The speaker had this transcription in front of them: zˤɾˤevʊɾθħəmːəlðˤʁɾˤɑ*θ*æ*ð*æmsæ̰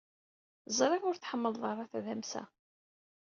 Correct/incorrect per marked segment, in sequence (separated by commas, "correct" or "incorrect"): correct, correct